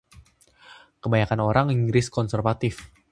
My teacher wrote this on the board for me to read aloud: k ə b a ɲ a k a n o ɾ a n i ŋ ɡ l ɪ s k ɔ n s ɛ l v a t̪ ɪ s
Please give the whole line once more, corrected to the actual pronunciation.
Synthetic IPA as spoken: k ə b a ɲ a k a n o ɾ a ŋ i ŋ ɡ ɾ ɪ s k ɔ n s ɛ r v a t̪ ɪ f